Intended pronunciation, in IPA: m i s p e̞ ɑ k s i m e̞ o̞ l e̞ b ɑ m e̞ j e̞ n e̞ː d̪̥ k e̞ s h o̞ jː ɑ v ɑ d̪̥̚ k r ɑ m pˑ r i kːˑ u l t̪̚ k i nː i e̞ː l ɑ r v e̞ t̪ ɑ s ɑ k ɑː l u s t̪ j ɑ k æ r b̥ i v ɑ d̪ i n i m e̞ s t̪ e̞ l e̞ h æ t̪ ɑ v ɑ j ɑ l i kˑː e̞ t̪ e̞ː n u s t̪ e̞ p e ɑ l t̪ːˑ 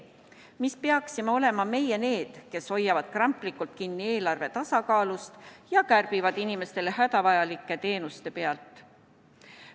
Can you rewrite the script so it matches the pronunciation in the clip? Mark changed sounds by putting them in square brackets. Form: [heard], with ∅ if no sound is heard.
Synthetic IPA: m i s p e̞ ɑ k s i m e̞ o̞ l e̞ [m] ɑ m e̞ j e̞ n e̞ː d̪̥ k e̞ s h o̞ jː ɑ v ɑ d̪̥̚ k r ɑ m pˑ [l] i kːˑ u l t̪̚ k i nː i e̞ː l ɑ r v e̞ t̪ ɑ s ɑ k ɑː l u s t̪ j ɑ k æ r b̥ i v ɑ d̪ i n i m e̞ s t̪ e̞ l e̞ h æ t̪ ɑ v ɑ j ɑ l i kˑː e̞ t̪ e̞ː n u s t̪ e̞ p e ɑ l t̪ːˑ